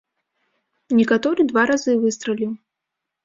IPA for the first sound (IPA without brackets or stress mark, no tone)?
nʲ